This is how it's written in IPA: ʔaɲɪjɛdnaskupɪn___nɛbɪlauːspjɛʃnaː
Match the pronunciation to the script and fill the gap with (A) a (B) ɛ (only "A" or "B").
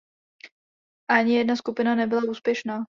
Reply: A